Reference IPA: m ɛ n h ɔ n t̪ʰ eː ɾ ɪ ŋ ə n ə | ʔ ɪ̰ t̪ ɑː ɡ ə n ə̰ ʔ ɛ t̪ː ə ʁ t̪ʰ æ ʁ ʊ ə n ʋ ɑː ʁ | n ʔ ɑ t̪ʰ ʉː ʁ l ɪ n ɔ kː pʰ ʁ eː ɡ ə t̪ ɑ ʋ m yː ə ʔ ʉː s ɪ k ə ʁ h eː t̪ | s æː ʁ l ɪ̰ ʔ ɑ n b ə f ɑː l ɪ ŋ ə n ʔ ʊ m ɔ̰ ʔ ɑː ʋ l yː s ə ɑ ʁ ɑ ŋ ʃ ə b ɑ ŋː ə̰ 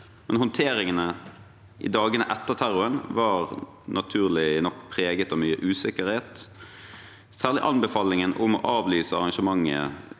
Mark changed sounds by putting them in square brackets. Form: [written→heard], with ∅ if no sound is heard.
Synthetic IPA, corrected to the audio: m ɛ n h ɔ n t̪ʰ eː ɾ ɪ ŋ ə n ə | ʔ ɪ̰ [t̪→d̪] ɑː ɡ ə n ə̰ ʔ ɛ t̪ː ə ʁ t̪ʰ æ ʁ ʊ ə n ʋ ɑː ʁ | n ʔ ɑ t̪ʰ ʉː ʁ l ɪ n ɔ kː pʰ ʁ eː ɡ ə t̪ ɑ ʋ m yː ə ʔ ʉː s ɪ k ə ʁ h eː t̪ | s æː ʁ l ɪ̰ ʔ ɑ n b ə f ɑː l ɪ ŋ ə n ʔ ʊ m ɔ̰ ʔ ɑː ʋ l yː s ə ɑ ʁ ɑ ŋ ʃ ə [b→m] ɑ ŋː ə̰